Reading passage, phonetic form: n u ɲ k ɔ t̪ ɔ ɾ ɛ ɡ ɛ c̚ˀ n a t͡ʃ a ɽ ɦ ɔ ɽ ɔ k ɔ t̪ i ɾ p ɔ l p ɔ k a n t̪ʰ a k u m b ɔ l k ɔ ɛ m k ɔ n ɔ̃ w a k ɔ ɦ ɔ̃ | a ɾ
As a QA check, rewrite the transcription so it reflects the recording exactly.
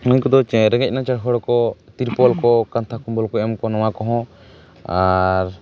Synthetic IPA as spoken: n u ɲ k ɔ d̪ ɔ ɾ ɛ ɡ ɛ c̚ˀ n a t͡ʃ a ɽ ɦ ɔ ɽ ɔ k ɔ t̪ i ɾ p ɔ l k ɔ k a n t̪ʰ a k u m b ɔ l k ɔ ɛ m k ɔ n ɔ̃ w a k ɔ ɦ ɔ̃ | a ɾ

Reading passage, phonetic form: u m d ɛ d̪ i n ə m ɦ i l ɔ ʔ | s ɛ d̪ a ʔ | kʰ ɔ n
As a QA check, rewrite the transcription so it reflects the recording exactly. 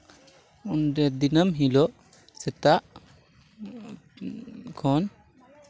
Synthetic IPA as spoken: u n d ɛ d̪ i n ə m ɦ i l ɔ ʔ | s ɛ t̪ a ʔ | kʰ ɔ n

